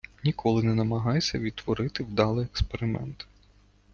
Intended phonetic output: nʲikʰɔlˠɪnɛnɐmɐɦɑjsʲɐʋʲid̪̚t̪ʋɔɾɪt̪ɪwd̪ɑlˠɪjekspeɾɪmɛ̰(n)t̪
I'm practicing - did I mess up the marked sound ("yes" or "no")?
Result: no